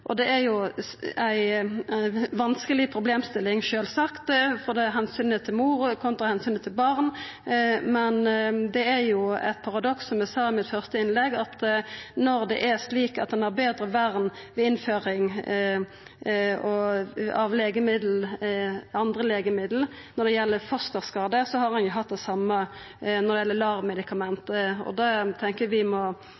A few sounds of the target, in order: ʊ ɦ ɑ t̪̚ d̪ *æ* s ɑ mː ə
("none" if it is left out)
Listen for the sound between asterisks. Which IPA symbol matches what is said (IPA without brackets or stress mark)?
ɛ